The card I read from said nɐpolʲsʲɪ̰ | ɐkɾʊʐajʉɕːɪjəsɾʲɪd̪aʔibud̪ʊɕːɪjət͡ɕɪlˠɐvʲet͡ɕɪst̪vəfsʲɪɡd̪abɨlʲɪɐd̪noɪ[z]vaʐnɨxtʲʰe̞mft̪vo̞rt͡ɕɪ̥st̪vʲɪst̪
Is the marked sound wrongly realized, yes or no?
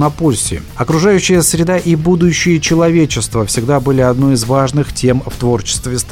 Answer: no